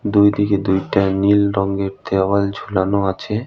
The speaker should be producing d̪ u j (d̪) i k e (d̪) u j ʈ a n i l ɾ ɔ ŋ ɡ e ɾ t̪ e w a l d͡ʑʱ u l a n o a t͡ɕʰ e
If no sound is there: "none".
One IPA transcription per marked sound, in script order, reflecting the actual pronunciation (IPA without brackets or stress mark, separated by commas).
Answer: d̪, d̪